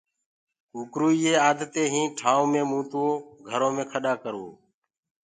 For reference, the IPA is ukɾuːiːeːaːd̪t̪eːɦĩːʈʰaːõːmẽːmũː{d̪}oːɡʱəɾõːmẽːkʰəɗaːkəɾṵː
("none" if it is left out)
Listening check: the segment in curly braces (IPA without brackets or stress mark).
t̪